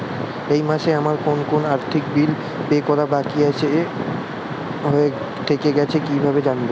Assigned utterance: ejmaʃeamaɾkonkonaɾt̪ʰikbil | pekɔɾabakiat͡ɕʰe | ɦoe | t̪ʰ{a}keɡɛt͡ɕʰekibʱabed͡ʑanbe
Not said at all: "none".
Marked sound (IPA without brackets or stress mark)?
e